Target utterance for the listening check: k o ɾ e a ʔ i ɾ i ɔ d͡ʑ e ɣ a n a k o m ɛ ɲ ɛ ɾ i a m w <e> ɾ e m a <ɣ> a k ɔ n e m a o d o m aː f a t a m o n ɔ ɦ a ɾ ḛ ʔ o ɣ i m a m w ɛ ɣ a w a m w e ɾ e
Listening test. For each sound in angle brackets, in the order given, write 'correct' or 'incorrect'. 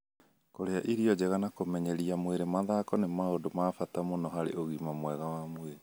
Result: correct, incorrect

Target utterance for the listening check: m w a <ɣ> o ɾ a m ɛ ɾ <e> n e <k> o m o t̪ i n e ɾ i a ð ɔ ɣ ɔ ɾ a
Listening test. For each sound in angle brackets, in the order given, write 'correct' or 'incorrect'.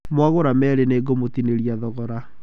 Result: correct, correct, incorrect

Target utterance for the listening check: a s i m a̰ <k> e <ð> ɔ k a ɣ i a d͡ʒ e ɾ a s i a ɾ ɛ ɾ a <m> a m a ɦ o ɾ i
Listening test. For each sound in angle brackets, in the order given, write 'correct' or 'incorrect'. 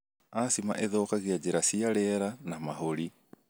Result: incorrect, correct, incorrect

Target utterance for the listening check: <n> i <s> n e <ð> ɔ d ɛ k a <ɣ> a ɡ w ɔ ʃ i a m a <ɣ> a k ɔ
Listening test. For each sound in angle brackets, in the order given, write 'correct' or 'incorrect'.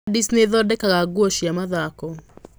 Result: incorrect, correct, correct, correct, incorrect

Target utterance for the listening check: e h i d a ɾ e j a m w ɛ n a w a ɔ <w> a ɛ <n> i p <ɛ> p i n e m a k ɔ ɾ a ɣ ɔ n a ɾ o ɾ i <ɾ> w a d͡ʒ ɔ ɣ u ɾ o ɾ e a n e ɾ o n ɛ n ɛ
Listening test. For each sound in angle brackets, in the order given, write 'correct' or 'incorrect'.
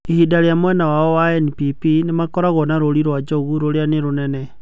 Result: correct, correct, incorrect, correct

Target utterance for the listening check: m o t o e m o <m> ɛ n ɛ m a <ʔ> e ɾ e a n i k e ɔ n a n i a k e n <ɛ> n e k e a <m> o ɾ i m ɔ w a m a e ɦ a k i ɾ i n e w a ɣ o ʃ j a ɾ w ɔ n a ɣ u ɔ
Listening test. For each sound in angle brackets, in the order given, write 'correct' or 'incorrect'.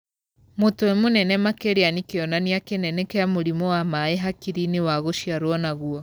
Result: incorrect, incorrect, correct, correct

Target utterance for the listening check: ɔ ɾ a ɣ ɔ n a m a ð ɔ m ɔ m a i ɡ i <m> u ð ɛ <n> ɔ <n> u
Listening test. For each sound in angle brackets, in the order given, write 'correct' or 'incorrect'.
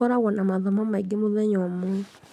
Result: correct, incorrect, incorrect

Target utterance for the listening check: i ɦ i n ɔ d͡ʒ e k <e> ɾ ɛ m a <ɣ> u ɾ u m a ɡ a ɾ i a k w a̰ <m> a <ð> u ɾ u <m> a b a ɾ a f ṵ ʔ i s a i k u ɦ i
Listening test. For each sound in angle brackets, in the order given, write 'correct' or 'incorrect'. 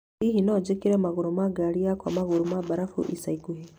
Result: incorrect, correct, correct, incorrect, correct

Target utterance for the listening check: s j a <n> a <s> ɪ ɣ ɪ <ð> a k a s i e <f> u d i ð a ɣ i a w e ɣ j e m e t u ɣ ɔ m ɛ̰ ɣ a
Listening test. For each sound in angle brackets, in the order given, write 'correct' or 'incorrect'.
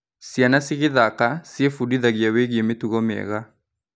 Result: correct, correct, correct, correct

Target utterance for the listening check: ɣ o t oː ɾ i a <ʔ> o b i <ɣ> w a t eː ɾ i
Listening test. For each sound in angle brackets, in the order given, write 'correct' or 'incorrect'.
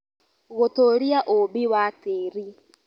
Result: correct, incorrect

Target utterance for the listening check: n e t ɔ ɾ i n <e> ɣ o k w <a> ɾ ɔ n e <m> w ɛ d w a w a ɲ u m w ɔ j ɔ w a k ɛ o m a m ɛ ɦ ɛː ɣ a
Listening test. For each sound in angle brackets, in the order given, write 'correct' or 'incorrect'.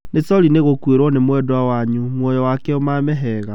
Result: correct, incorrect, correct

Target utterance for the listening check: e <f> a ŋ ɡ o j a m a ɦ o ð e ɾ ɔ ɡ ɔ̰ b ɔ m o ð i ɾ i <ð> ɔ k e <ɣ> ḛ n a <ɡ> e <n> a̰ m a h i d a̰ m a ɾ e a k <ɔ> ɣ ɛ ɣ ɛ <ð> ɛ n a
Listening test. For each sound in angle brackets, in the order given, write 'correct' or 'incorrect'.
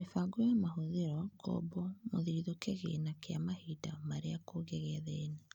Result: correct, correct, correct, incorrect, incorrect, incorrect, correct

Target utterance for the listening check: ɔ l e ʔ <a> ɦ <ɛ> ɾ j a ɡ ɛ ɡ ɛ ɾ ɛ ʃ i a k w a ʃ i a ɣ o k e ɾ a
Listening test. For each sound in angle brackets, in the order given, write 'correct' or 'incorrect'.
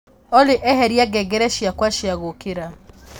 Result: incorrect, correct

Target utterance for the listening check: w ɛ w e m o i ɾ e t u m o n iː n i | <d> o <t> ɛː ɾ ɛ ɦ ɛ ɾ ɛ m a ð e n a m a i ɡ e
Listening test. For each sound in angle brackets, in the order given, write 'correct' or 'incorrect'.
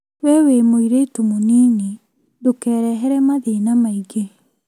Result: correct, incorrect

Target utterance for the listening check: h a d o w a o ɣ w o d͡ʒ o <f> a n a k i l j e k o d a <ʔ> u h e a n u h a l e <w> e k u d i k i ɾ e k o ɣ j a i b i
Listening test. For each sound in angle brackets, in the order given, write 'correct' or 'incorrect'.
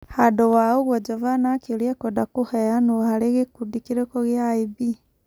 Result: incorrect, incorrect, incorrect

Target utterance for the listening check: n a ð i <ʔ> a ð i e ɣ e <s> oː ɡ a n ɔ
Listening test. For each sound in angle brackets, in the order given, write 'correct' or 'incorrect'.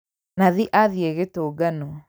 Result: correct, incorrect

